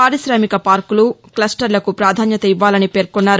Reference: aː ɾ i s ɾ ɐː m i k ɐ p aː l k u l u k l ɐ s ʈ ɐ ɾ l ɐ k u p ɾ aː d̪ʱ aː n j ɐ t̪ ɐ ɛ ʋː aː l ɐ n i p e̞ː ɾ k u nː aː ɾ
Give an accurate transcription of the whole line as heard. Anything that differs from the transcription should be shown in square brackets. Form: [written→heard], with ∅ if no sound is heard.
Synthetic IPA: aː ɾ i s ɾ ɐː m i k ɐ p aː [l→ɾ] k u l u k l ɐ s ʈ ɐ ɾ l ɐ k u p ɾ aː d̪ʱ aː n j ɐ t̪ ɐ [ɛ→i] ʋː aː l ɐ n i p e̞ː ɾ k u nː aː ɾ